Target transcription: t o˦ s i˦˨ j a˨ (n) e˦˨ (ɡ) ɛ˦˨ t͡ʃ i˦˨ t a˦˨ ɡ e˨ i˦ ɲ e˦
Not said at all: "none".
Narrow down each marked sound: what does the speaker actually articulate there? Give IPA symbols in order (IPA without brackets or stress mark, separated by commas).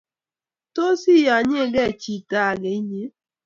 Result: ɲ, ɡ